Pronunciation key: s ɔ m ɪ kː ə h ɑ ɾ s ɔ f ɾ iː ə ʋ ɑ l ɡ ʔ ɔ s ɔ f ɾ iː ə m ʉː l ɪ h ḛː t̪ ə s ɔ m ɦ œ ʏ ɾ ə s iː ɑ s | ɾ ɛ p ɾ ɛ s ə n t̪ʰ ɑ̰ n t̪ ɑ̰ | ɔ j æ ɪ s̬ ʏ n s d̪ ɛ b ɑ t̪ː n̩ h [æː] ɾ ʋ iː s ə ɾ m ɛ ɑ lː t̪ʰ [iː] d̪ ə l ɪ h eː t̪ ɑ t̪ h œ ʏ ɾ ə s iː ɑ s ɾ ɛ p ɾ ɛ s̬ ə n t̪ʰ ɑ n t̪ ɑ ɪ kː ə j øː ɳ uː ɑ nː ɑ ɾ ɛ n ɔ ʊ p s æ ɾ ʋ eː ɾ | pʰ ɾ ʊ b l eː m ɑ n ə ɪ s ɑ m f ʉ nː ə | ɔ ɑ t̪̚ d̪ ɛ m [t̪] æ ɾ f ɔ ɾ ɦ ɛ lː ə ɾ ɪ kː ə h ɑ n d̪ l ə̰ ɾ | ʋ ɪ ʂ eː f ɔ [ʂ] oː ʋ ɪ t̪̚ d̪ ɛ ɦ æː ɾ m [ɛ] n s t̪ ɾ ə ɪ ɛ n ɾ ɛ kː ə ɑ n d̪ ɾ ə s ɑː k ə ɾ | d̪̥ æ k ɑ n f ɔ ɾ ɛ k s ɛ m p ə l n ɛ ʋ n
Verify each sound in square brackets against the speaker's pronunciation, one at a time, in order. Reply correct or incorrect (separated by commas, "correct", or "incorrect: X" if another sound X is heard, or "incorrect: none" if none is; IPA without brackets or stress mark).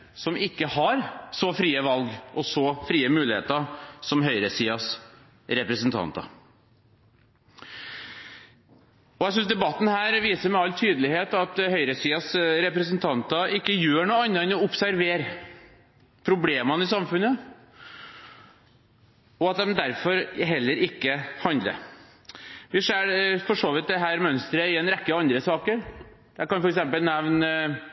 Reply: correct, incorrect: yː, incorrect: d̪, correct, incorrect: œ